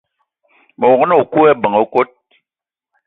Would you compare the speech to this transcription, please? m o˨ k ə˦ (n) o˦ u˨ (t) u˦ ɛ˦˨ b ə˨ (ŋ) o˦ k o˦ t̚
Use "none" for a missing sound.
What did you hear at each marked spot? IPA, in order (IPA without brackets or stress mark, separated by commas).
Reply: n, k, ŋ